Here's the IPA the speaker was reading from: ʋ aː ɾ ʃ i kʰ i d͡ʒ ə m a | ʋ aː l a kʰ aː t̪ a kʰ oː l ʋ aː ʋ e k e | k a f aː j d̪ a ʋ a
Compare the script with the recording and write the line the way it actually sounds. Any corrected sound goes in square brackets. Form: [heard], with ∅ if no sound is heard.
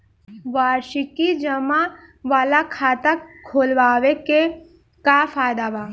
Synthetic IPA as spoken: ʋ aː ɾ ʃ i [k] i d͡ʒ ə m a | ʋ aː l a kʰ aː t̪ a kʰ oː l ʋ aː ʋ e k e | k a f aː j d̪ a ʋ a